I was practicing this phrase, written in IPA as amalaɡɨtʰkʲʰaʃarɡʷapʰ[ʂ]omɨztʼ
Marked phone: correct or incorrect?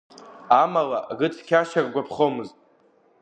incorrect